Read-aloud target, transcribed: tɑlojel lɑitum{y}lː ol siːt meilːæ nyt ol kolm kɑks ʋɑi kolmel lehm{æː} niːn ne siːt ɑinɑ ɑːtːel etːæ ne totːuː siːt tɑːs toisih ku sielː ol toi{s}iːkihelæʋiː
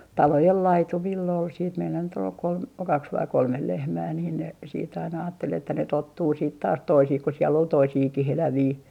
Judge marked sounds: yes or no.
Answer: no, yes, yes

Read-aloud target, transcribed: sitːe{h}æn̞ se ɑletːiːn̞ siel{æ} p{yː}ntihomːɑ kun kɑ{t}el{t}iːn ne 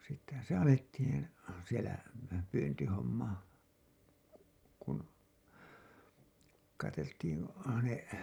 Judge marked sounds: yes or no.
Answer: yes, yes, yes, yes, yes

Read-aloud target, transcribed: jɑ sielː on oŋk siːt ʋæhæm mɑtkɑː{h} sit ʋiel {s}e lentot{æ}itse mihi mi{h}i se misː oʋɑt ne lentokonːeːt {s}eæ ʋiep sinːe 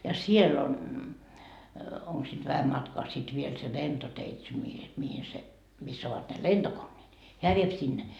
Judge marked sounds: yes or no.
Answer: no, yes, no, yes, no

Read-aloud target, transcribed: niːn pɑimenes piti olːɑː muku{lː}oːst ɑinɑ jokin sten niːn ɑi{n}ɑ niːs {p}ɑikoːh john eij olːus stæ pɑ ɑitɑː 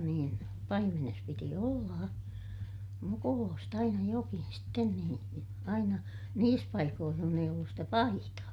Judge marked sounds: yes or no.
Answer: no, yes, yes

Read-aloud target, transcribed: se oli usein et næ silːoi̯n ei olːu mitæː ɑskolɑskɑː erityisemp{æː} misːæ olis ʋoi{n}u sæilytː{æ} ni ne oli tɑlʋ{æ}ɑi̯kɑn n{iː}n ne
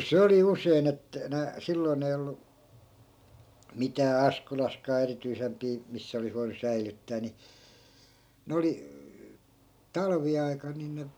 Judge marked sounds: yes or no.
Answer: no, yes, no, no, no

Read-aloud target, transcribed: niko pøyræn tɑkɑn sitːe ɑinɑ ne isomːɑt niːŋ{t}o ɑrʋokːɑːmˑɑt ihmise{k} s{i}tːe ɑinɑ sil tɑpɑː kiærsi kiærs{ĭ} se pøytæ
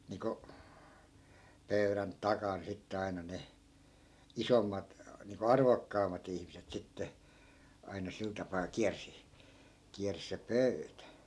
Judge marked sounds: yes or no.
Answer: no, no, yes, yes

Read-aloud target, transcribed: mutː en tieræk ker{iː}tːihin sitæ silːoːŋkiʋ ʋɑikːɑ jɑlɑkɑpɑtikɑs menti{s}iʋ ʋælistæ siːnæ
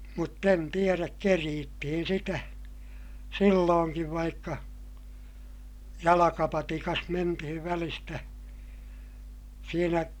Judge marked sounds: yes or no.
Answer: yes, no

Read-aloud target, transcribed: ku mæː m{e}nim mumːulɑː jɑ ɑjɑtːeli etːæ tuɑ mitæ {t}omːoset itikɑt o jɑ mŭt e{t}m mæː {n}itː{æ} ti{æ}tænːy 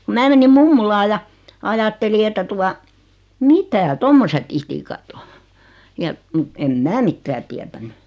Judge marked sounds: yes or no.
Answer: yes, yes, no, no, no, yes

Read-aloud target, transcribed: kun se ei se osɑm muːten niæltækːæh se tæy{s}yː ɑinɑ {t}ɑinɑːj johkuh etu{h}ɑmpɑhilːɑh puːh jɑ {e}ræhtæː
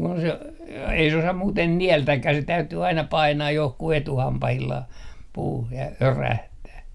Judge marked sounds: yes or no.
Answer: no, no, yes, no

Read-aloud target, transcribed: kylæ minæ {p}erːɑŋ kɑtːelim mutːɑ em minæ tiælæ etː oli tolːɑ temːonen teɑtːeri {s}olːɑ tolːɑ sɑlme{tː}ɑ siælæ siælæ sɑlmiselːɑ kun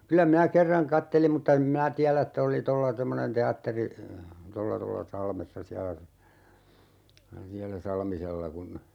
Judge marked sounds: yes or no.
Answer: no, no, no

